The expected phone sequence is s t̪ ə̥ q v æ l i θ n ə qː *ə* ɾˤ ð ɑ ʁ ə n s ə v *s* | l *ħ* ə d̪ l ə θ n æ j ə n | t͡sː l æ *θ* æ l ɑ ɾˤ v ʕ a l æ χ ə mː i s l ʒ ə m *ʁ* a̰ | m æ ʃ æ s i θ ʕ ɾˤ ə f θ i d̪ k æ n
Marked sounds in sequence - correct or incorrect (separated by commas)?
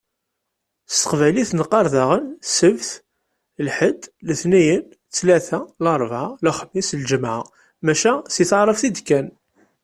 incorrect, incorrect, correct, correct, incorrect